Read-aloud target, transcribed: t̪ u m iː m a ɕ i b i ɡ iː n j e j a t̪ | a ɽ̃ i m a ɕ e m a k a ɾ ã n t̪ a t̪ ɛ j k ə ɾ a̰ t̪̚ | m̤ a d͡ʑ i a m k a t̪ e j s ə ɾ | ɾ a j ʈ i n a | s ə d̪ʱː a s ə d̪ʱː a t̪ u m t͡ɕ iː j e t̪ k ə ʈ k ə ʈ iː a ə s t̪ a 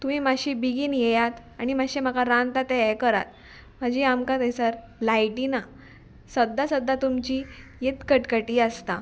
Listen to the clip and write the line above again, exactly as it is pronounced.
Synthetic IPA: t̪ u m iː m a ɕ i b i ɡ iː n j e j a t̪ | a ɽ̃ i m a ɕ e m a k a ɾ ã n t̪ a t̪ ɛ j k ə ɾ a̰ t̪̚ | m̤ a d͡ʑ i a m k a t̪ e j s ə ɾ | l a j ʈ i n a | s ə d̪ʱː a s ə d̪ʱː a t̪ u m t͡ɕ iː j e t̪ k ə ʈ k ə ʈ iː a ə s t̪ a